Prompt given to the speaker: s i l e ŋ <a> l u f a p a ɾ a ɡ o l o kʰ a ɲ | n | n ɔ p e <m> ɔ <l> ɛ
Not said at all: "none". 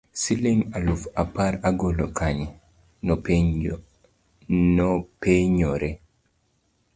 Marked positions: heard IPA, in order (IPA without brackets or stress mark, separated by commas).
a, ɲ, ɾ